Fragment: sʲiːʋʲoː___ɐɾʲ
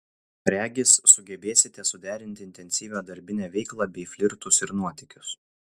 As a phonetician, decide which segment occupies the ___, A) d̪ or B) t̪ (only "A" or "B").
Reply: A